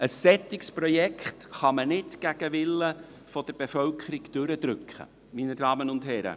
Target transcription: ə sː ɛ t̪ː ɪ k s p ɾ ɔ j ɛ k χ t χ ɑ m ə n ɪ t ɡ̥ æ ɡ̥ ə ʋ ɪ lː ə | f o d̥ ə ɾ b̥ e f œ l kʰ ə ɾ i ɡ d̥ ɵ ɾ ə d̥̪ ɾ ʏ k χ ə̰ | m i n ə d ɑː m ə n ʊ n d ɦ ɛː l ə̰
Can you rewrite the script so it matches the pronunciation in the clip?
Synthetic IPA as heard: ə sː ɛ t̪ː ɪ k s p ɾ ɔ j ɛ k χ t χ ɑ m ə n ɪ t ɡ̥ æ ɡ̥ ə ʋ ɪ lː ə | f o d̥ ə ɾ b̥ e f œ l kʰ ə ɾ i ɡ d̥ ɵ ɾ ə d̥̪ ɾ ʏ k χ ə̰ | m i n ə d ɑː m ə n ʊ n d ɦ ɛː ɾ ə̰